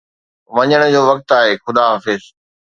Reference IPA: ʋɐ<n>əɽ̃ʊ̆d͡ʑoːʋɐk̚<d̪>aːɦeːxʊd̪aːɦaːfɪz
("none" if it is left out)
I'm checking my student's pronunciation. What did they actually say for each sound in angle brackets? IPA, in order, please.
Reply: ɲ, t̪

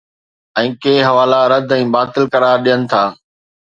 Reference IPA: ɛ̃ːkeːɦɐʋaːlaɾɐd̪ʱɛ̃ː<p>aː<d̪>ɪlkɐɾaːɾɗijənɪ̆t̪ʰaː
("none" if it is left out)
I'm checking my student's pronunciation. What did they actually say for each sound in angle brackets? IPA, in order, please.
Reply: b, t̪

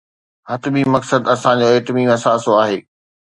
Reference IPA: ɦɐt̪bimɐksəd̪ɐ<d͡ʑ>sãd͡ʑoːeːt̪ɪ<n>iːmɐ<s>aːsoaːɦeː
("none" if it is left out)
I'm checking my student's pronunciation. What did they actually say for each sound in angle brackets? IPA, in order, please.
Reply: none, m, s

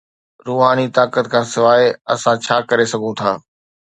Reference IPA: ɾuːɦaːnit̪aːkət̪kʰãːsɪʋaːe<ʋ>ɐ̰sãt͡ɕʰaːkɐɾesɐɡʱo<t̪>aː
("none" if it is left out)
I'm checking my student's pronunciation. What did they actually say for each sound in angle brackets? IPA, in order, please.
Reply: none, t̪ʰ

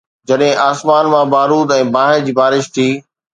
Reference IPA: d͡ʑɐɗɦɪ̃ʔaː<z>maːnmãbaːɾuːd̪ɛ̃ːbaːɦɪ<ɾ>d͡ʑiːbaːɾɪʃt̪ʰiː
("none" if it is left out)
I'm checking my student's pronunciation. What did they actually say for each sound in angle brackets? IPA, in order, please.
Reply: s, ɾ

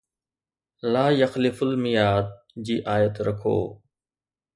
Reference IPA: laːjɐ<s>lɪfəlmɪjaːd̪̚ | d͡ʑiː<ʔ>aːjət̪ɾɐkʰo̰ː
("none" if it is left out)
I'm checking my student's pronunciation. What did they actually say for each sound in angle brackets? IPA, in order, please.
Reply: x, ʔ

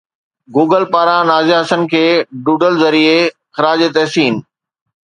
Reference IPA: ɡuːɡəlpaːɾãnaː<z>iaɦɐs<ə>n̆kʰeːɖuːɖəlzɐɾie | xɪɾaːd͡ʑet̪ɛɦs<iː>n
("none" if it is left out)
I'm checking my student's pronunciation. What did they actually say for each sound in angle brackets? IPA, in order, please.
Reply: z, ə, iː

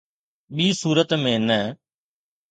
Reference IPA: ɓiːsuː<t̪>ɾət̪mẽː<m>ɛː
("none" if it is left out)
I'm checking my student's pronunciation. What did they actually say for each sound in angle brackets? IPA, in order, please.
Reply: none, n

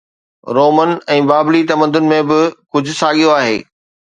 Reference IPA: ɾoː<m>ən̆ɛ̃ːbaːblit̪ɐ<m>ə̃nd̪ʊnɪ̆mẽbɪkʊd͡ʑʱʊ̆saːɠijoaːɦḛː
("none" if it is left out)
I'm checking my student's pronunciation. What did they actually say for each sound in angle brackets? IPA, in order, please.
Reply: m, m

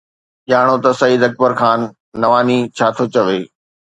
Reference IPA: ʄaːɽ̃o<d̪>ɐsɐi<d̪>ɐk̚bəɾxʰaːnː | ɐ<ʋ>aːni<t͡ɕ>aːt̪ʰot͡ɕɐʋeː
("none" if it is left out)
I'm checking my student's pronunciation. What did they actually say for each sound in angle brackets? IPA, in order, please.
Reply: t̪, d̪, ʋ, t͡ɕʰ

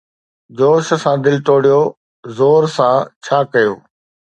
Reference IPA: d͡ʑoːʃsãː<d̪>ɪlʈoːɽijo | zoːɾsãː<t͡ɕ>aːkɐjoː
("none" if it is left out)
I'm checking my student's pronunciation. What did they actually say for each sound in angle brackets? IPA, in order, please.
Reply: d̪, t͡ɕʰ

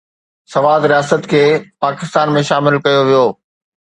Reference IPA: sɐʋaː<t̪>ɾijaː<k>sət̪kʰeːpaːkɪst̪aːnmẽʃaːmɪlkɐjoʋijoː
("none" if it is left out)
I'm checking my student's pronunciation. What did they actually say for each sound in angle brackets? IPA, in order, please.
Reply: d̪, none

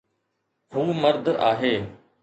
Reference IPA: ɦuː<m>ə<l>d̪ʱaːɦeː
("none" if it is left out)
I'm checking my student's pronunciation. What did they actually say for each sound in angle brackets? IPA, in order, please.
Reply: m, ɾ

